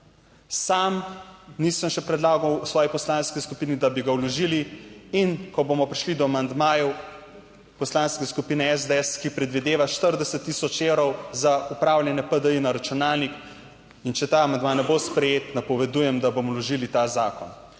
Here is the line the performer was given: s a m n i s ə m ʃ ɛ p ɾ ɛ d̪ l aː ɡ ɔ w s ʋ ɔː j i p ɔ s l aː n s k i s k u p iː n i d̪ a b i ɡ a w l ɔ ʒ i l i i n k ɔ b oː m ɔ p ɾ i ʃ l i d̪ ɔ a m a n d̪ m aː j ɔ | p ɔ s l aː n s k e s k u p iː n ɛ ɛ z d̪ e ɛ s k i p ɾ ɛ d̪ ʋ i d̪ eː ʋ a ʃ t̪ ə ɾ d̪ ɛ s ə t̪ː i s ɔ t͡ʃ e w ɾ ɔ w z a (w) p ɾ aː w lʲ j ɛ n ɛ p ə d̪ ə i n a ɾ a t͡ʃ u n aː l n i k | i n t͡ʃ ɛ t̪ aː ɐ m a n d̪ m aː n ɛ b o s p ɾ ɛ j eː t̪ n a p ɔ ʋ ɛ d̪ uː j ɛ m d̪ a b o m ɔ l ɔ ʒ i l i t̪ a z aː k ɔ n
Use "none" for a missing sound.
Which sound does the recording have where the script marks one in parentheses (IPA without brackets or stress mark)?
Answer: u